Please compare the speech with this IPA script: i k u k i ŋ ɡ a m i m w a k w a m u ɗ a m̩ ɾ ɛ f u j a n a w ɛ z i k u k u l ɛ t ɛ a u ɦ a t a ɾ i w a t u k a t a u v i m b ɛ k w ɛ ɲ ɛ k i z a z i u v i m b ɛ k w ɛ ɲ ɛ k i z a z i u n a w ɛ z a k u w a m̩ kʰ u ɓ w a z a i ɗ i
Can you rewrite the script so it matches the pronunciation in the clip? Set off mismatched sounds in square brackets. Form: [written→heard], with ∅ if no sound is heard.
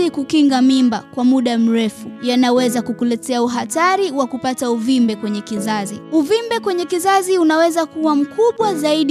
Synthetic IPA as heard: i k u k i ŋ ɡ a m i m [w→b] a k w a m u ɗ a m̩ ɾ ɛ f u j a n a w ɛ z [i→a] k u k u l ɛ t ɛ a u ɦ a t a ɾ i w a [t→k] u [k→p] a t a u v i m b ɛ k w ɛ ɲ ɛ k i z a z i u v i m b ɛ k w ɛ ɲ ɛ k i z a z i u n a w ɛ z a k u w a m̩ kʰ u ɓ w a z a i ɗ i